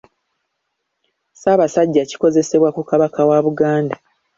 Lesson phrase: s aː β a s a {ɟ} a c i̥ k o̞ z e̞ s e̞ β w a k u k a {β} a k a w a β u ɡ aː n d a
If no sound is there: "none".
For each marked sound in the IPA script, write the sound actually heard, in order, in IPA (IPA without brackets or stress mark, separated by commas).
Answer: ɟː, β